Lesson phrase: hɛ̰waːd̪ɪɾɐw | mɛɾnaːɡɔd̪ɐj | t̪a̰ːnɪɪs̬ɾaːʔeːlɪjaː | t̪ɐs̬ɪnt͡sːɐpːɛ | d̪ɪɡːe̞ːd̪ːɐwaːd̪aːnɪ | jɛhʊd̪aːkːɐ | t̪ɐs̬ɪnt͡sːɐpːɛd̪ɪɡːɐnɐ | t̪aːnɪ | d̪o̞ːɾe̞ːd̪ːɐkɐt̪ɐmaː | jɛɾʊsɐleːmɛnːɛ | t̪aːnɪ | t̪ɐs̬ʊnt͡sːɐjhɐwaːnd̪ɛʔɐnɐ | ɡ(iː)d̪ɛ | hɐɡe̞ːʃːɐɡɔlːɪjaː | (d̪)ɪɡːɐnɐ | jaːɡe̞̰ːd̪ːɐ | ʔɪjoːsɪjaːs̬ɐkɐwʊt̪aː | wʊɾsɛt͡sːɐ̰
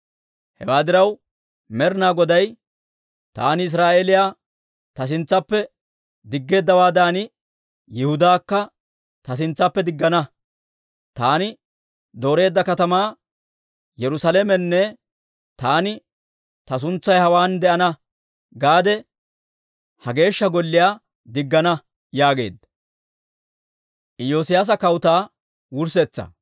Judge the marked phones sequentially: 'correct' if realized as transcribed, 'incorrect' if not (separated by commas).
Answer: incorrect, correct